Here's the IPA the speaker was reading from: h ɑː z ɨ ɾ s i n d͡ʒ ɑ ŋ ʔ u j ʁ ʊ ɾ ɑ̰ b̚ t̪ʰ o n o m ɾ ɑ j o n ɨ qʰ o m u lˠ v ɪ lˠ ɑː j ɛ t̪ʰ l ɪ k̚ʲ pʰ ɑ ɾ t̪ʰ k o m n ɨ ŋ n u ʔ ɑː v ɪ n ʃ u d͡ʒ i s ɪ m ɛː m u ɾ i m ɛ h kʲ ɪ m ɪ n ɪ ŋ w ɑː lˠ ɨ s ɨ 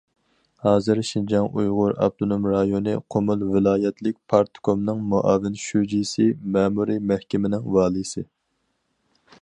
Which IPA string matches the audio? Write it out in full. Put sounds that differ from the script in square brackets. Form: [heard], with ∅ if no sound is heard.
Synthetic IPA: h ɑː z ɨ ɾ [ʃ] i n d͡ʒ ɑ ŋ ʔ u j ʁ ʊ ɾ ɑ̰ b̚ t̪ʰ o n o m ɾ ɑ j o n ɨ qʰ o m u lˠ v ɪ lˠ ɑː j ɛ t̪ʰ l ɪ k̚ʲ pʰ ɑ ɾ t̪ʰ k o m n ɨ ŋ [m] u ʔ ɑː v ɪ n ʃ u d͡ʒ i s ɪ m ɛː m u ɾ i m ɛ h kʲ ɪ m ɪ n ɪ ŋ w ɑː lˠ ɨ s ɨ